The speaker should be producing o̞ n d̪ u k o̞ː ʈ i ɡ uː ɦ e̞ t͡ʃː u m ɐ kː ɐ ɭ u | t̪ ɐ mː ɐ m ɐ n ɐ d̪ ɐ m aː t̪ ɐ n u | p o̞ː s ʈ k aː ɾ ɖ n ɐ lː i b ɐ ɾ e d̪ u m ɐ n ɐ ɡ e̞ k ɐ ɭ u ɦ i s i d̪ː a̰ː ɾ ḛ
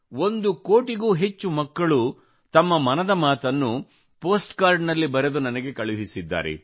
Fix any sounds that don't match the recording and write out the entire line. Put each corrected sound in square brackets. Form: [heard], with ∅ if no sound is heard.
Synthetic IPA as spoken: o̞ n d̪ u k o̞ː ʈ i ɡ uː ɦ e̞ t͡ʃː u m ɐ kː ɐ ɭ u | t̪ ɐ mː ɐ m ɐ n ɐ d̪ ɐ m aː t̪ ɐ [nː] u | p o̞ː s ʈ k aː ɾ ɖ n ɐ lː i b ɐ ɾ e d̪ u [n] ɐ n ɐ ɡ e̞ k ɐ ɭ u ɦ i s i d̪ː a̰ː ɾ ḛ